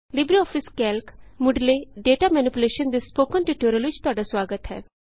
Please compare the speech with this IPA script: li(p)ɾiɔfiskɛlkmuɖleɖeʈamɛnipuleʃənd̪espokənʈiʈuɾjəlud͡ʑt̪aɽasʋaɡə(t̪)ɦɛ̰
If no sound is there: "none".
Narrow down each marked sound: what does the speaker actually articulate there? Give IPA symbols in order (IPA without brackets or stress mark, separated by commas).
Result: b, t̪